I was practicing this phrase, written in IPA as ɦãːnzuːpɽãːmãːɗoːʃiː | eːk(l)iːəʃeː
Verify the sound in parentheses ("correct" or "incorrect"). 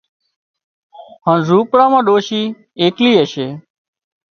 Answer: correct